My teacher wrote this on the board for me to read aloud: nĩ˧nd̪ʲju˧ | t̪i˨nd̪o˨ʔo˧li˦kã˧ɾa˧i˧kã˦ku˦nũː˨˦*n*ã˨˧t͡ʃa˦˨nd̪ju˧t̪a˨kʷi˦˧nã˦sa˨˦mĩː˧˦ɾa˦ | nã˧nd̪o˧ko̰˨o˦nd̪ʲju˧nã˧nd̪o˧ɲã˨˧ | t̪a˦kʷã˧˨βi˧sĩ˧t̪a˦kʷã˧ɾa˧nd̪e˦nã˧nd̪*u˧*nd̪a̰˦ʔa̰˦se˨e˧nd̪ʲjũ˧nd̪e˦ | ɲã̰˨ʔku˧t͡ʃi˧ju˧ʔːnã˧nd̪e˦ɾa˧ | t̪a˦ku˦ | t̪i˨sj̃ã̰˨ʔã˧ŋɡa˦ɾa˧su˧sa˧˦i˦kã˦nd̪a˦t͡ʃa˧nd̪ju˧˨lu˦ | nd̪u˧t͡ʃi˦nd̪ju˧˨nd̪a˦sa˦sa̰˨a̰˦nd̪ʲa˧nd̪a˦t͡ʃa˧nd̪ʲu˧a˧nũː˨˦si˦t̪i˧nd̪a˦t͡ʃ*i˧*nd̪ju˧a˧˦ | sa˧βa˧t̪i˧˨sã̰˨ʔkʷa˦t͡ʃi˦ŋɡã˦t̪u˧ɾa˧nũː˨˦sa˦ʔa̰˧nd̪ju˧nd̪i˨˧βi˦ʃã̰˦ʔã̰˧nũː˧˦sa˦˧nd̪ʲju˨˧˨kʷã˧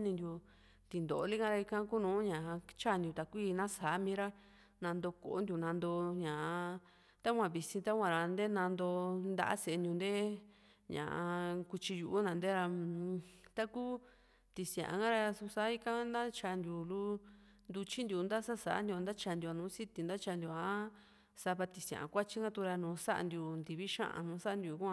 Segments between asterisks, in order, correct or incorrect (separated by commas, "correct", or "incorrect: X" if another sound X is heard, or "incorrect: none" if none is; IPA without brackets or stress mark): incorrect: ɲ, incorrect: o˧, incorrect: a˧